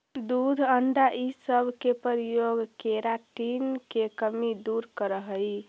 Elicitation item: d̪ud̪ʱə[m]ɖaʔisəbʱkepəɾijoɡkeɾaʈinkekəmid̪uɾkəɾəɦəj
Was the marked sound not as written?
yes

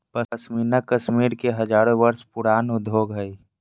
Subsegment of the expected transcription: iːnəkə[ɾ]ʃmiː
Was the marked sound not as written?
yes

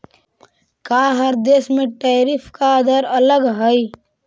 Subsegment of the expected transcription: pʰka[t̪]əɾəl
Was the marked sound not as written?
yes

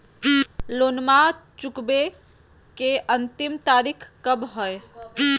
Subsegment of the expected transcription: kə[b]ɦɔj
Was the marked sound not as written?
no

